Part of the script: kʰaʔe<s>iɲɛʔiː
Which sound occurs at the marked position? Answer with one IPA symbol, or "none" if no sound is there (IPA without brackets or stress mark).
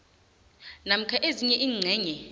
z